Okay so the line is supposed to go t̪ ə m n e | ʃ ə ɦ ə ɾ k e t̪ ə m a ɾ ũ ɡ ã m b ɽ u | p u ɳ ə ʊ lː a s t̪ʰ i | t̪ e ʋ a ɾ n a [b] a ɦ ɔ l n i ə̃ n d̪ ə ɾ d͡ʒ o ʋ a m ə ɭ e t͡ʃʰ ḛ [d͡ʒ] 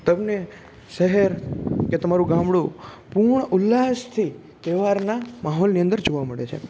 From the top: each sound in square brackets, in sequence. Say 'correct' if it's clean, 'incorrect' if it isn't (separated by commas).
incorrect, incorrect